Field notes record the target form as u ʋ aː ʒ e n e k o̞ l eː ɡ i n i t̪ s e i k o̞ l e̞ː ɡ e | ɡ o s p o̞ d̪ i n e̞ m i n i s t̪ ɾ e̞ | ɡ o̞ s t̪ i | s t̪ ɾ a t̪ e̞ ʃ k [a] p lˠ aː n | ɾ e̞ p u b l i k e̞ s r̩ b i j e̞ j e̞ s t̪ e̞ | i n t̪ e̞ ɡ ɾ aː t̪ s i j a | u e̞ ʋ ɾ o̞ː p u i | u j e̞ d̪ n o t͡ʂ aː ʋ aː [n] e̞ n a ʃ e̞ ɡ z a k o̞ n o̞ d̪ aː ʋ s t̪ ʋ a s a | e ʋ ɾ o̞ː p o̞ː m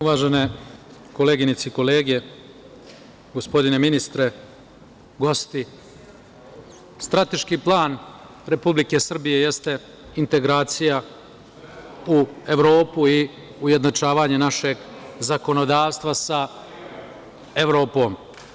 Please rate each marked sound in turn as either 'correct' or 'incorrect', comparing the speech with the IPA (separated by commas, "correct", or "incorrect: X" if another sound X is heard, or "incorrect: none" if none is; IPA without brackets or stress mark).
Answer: incorrect: i, incorrect: ɲ